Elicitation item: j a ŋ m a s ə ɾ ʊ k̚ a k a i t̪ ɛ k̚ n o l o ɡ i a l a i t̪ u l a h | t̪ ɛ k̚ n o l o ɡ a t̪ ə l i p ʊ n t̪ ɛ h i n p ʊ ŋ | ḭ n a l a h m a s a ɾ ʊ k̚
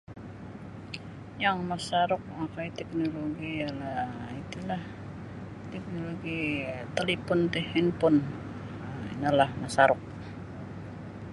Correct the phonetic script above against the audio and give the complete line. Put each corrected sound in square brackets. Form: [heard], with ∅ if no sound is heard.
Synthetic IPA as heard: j a ŋ m a s [a] ɾ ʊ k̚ a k a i t̪ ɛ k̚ n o l o ɡ i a l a i t̪ u l a h | t̪ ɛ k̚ n o l o ɡ [i] t̪ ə l i p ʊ n t̪ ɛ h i n p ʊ [n] | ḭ n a l a h m a s a ɾ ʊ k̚